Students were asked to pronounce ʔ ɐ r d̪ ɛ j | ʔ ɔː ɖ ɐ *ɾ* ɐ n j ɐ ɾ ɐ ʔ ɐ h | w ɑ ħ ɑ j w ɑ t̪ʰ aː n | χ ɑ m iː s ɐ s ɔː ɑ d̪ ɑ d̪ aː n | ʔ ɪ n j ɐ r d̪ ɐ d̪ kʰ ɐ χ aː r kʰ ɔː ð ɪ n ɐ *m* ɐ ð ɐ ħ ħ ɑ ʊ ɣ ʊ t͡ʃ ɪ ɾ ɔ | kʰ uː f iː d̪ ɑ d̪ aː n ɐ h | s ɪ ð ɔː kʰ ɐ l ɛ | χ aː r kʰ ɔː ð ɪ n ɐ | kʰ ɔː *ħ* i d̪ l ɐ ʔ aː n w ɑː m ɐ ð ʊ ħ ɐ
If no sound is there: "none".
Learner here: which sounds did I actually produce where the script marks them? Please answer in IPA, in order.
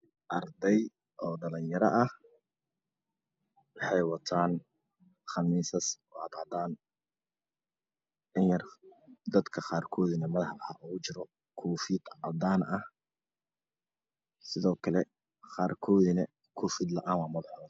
l, m, f

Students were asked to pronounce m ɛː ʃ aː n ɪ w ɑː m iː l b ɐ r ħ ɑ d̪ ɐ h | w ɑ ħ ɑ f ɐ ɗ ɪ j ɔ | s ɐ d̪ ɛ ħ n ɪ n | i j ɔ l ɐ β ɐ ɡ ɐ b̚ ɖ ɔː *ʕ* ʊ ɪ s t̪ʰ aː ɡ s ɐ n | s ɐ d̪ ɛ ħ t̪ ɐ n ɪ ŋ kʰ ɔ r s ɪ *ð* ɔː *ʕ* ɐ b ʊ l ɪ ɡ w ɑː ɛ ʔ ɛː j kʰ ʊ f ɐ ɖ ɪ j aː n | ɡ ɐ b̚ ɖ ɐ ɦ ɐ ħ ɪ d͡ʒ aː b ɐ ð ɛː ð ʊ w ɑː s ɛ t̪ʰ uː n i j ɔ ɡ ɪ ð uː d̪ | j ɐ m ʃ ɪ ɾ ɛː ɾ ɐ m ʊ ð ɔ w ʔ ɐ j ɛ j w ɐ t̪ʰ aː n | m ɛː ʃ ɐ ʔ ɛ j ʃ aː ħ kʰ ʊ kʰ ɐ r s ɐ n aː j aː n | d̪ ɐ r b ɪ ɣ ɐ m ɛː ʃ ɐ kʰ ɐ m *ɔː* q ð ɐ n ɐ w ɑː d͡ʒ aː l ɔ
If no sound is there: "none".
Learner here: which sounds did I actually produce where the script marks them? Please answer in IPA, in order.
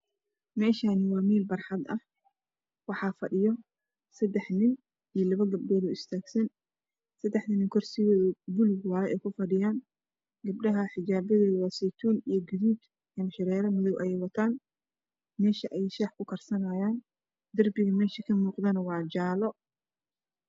ð, ɣ, ð, uː

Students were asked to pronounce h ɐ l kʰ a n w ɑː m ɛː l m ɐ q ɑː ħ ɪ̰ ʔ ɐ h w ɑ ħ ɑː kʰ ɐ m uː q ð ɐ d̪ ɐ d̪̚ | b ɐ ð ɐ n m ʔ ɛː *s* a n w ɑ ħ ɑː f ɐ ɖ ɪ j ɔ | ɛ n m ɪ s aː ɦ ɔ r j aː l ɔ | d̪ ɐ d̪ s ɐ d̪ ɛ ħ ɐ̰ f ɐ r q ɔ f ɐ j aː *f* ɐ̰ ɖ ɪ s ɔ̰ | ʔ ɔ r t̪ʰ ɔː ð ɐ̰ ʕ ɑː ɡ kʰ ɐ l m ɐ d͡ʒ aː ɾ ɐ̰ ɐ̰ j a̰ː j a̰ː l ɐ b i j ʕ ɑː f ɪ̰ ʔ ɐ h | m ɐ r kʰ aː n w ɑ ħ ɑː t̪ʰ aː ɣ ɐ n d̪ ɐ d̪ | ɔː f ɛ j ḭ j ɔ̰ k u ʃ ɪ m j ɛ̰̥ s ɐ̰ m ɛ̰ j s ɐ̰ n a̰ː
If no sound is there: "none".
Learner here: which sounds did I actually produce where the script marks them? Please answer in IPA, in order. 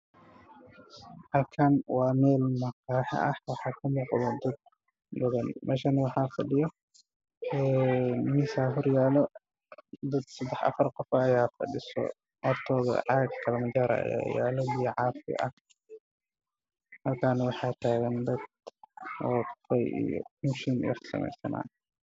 ʃ, f

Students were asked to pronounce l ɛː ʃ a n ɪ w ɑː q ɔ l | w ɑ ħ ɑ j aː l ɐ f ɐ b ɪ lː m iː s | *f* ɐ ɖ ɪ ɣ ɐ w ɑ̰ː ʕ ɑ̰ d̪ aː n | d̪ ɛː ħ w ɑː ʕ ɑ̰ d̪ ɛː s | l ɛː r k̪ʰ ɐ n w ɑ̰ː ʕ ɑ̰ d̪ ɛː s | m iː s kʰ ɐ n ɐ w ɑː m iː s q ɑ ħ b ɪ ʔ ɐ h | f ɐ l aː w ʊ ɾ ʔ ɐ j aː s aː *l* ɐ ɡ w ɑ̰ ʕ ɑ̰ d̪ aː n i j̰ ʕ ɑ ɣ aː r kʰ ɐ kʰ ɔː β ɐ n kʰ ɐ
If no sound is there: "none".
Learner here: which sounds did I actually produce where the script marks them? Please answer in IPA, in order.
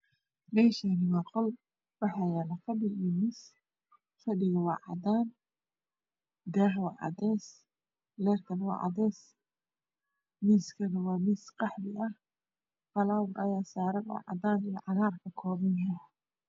f, ɾ

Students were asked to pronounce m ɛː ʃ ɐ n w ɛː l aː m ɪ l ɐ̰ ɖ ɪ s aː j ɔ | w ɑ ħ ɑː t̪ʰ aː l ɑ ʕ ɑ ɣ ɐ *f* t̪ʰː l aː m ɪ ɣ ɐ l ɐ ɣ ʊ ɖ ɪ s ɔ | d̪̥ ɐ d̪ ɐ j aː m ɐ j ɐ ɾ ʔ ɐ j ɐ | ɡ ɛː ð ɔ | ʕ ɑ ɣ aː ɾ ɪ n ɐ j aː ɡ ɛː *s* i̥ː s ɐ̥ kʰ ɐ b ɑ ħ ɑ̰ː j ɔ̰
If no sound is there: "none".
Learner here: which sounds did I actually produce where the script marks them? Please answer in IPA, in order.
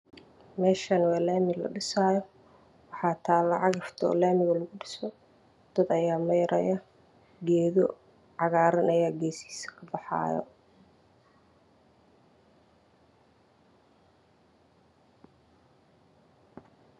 f, s

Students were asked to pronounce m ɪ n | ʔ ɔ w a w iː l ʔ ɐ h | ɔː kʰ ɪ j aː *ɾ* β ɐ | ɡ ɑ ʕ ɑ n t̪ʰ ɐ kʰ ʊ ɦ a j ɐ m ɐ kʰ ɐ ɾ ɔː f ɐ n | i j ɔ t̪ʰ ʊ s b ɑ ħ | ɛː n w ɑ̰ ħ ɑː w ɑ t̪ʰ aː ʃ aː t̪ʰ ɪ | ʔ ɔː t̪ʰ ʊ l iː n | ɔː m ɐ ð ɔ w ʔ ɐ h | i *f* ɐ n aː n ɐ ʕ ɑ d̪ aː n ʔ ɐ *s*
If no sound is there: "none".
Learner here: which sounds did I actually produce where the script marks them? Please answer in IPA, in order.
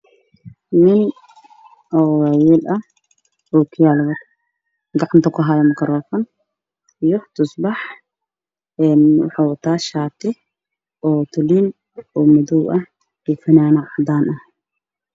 l, f, h

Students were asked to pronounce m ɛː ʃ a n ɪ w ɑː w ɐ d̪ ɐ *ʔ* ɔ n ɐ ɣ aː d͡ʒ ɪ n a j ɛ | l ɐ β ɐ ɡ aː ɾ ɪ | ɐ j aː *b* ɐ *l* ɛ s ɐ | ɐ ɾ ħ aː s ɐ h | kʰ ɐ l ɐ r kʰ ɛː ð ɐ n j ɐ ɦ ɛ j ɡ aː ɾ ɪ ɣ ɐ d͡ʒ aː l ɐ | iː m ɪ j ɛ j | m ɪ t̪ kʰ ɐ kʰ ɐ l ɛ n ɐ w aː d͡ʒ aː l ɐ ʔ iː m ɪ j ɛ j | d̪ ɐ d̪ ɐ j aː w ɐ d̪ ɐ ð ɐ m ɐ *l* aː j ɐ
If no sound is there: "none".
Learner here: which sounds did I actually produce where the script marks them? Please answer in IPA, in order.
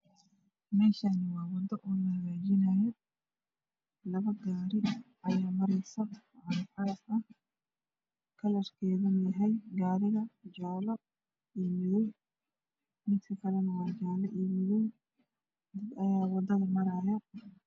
ʔ, m, ɾ, ɾ

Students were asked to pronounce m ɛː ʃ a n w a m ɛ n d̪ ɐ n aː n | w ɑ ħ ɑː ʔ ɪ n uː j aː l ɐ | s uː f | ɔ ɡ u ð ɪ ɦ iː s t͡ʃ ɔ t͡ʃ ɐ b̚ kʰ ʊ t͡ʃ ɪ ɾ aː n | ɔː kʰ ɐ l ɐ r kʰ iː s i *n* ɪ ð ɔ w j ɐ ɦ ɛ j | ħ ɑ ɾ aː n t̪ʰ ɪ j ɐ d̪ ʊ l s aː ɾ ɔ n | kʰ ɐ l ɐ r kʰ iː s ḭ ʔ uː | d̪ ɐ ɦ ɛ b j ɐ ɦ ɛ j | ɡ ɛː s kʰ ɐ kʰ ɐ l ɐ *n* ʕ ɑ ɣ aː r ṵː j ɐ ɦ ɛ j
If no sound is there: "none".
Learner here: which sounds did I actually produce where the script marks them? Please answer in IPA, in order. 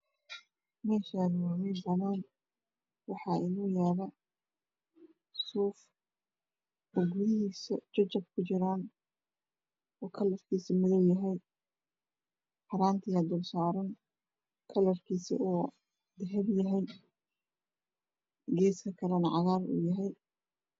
m, n

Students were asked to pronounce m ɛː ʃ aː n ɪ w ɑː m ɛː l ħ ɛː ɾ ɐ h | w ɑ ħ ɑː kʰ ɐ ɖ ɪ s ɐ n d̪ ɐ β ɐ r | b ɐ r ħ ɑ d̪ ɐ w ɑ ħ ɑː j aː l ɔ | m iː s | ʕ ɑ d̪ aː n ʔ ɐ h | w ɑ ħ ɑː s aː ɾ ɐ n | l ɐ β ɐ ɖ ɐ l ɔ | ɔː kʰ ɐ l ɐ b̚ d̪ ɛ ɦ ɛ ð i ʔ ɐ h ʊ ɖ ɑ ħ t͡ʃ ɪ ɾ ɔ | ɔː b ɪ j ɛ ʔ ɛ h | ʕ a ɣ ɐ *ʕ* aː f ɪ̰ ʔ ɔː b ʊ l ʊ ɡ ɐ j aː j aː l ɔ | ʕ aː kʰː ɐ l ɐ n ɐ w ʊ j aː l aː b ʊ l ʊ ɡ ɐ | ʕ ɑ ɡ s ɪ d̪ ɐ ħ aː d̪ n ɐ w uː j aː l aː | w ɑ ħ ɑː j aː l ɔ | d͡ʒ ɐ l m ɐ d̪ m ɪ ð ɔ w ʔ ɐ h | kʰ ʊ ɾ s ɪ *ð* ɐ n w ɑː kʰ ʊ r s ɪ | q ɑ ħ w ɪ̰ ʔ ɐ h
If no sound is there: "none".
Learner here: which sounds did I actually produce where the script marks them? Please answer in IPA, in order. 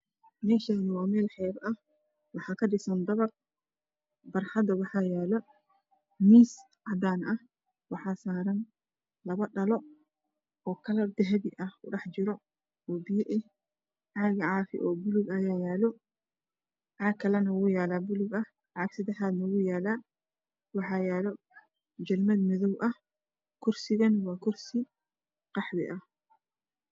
ʕ, ɣ

